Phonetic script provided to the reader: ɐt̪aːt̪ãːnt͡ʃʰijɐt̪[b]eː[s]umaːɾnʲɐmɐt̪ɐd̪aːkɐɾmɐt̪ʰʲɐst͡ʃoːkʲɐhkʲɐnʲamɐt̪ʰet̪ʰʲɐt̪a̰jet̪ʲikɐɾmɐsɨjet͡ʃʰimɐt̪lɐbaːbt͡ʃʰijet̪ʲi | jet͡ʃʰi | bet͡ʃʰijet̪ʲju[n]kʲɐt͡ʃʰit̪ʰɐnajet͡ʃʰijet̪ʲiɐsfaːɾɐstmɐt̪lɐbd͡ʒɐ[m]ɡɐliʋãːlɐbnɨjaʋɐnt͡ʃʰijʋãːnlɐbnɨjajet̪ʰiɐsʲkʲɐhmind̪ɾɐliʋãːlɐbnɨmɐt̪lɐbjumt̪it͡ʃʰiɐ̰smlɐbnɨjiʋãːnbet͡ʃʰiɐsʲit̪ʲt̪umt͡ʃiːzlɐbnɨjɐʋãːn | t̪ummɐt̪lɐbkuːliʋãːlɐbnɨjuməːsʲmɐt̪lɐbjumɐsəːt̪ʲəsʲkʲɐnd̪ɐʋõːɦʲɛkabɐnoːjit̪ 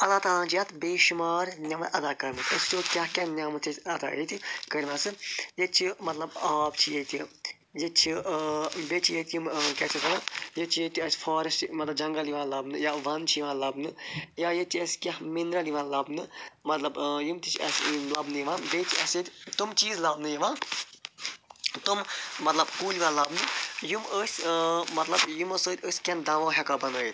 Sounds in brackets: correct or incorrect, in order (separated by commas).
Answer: correct, incorrect, incorrect, incorrect